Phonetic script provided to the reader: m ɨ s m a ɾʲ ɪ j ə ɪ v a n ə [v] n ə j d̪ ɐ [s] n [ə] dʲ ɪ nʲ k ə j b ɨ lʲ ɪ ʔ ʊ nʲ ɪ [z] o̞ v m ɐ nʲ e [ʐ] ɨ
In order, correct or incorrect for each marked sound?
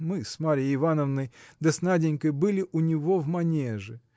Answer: correct, correct, incorrect: a, incorrect: v, correct

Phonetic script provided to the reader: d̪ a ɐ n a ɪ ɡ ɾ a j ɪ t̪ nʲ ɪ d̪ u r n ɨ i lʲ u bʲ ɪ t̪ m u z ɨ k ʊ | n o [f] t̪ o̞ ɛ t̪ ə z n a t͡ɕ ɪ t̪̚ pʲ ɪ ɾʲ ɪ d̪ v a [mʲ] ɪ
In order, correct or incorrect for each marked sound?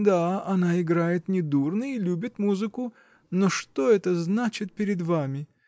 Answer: incorrect: ʂ, correct

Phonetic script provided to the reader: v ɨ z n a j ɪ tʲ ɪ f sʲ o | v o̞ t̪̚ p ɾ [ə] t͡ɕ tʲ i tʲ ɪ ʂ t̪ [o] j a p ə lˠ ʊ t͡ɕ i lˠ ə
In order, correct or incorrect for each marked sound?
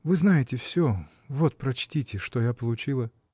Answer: incorrect: ɐ, correct

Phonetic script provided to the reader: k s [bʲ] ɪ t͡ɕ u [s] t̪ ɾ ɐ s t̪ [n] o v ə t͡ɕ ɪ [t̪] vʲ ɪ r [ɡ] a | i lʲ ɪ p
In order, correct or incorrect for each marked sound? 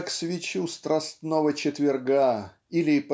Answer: incorrect: vʲ, correct, correct, correct, correct

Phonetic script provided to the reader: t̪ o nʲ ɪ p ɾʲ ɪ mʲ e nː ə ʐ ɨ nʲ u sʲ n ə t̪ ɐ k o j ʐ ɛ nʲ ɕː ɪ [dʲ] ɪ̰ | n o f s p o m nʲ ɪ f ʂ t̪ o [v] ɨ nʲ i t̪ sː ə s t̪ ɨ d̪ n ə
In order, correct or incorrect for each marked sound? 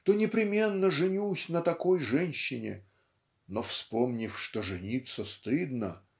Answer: incorrect: nʲ, incorrect: ʐ

